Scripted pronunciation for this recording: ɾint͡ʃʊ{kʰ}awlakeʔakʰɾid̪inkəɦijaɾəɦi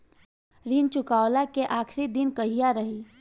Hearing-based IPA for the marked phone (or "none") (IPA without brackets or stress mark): k